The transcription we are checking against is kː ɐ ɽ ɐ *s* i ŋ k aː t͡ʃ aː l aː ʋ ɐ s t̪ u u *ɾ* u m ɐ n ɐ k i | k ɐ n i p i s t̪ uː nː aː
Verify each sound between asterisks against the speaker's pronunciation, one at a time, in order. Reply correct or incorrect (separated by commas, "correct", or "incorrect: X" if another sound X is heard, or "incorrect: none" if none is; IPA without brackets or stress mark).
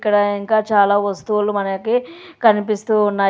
incorrect: none, incorrect: l